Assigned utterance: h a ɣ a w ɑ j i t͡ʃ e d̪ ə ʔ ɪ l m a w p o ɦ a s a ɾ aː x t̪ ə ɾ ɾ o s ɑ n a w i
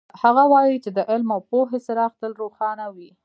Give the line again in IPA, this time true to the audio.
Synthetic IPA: h a ɣ a w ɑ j i t͡ʃ e d̪ ə ʔ ɪ l m a w p o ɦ e s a ɾ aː x t̪ ə l ɾ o x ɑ n a w i